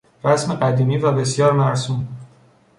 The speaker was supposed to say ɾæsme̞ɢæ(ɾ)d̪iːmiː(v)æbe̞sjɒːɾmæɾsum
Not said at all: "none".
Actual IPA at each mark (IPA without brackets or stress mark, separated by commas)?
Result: none, v